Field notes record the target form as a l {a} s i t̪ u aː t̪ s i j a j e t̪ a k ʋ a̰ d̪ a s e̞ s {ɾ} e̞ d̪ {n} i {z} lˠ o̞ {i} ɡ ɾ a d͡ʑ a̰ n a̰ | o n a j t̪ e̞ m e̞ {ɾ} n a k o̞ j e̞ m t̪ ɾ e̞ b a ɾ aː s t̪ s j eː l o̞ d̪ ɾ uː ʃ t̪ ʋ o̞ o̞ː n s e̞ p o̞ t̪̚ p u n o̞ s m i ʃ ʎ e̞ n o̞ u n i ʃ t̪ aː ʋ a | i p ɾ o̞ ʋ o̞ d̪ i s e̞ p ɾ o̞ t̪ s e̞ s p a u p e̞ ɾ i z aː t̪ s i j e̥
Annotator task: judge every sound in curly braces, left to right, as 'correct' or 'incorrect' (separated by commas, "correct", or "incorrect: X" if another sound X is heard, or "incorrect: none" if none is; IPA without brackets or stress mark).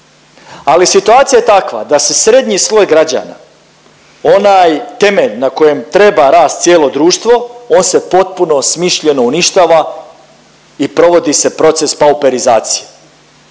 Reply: incorrect: i, correct, incorrect: ɲ, incorrect: s, incorrect: j, incorrect: ʎ